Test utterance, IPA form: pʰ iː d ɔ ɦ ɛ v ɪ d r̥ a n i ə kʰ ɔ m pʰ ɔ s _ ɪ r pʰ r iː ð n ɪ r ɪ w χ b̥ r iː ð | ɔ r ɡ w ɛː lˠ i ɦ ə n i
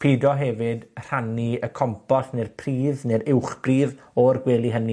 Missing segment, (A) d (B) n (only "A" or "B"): B